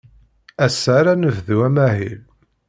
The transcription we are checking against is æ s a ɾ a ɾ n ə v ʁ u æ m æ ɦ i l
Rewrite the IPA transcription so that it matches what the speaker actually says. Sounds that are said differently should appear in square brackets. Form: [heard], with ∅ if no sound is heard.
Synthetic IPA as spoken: æ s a ɾ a [∅] n ə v [ð] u æ m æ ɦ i l